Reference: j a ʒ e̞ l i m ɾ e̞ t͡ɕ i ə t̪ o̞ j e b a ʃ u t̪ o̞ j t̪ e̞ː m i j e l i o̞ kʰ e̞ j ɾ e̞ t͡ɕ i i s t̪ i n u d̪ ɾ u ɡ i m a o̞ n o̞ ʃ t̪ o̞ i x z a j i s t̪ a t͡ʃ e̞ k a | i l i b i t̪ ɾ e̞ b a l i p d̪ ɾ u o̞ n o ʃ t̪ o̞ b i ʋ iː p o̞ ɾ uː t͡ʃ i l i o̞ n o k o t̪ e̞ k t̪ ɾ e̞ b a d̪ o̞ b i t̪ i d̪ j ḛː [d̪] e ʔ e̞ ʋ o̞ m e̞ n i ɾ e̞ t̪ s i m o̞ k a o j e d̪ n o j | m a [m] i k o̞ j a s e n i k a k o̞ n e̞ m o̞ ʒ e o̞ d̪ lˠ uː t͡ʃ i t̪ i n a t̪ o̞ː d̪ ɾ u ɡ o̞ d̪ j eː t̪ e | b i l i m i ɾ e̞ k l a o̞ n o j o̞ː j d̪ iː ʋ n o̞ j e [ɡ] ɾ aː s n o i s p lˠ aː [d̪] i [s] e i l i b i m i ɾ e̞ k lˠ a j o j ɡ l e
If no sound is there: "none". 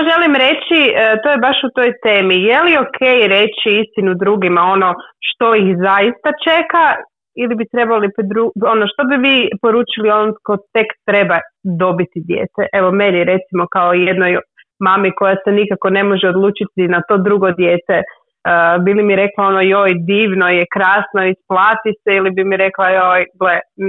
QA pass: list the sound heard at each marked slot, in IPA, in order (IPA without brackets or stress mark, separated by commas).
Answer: t̪, m, k, t̪, s